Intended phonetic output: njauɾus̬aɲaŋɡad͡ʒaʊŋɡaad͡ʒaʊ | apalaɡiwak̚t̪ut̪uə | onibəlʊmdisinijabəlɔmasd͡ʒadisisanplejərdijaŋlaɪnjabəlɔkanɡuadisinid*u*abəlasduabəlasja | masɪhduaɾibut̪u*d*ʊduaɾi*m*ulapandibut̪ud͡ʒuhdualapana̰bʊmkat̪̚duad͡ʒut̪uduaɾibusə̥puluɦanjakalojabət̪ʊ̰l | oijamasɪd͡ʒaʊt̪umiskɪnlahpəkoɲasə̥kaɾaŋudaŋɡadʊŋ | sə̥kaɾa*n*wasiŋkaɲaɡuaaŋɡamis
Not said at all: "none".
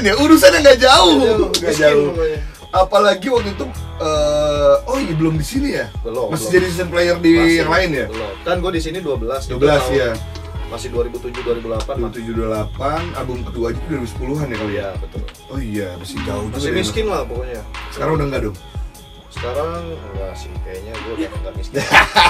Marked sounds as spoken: u, d͡ʒ, b, ŋ

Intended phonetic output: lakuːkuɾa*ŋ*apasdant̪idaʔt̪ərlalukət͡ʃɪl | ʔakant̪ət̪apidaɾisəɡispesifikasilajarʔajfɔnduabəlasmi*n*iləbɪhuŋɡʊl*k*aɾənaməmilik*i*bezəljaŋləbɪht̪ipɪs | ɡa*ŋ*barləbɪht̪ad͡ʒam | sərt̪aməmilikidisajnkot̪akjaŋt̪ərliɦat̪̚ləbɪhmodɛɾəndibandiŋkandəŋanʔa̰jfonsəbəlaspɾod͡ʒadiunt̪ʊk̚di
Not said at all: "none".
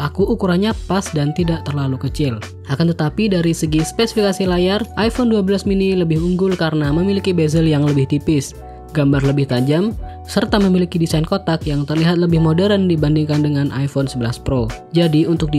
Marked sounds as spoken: ɲ, n, k, i, m

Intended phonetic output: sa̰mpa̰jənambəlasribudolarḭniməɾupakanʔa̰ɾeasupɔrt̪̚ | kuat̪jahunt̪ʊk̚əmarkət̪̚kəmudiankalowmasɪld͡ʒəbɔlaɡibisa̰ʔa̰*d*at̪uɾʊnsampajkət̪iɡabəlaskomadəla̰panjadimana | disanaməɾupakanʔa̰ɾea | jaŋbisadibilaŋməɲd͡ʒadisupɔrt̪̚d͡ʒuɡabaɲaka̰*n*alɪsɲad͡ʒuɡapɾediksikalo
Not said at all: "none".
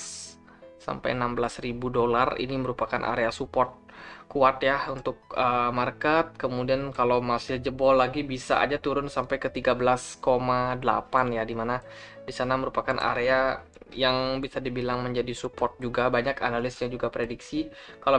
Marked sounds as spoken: d͡ʒ, n

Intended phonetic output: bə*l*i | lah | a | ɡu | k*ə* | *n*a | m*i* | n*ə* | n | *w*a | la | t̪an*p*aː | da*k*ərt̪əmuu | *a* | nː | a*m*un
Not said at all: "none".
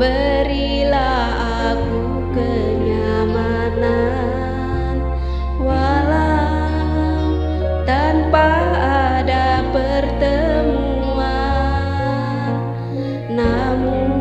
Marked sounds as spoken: ɾ, ə, ɲ, a, a, w, p, p, a, m

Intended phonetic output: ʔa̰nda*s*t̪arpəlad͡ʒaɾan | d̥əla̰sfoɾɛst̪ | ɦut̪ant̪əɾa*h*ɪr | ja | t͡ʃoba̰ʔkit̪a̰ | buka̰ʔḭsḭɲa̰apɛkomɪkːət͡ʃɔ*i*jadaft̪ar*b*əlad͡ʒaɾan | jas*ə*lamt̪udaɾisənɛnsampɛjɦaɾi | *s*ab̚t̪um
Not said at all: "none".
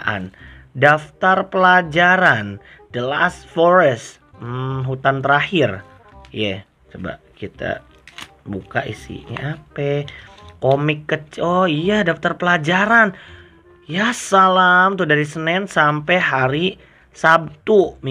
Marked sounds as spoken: f, h, i, p, a, s

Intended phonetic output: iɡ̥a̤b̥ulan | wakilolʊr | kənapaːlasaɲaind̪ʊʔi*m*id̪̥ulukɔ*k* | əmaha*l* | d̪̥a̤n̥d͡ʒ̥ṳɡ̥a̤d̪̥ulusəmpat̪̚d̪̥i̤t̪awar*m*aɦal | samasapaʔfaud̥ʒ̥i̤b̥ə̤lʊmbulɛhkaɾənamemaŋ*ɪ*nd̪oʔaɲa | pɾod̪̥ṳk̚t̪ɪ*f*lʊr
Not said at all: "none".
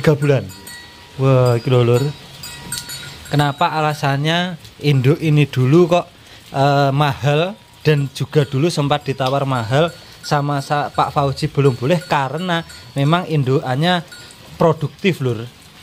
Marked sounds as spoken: n, ʔ, l, m, i, f

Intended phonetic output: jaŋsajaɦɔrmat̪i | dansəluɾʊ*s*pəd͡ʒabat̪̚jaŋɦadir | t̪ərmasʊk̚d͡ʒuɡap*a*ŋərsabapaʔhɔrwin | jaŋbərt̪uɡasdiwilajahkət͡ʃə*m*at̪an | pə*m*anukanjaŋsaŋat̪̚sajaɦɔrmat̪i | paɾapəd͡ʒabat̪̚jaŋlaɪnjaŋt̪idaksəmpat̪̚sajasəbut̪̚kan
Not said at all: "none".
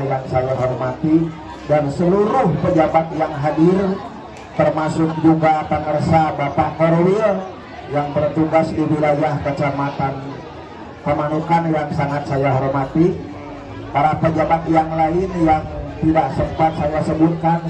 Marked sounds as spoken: h, ə, m, m

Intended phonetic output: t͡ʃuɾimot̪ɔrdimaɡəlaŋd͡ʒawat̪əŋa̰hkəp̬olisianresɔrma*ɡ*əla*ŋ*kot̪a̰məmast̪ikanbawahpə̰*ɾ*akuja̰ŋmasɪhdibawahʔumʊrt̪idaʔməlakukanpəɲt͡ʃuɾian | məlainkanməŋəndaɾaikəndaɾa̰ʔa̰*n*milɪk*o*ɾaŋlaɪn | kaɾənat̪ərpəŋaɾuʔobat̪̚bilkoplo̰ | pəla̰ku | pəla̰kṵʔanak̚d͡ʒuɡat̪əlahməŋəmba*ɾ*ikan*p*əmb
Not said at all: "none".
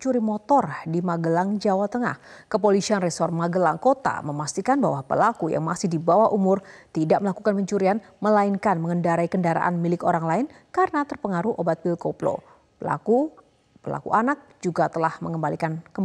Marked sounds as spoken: ɡ, ŋ, l, n, o, l, k

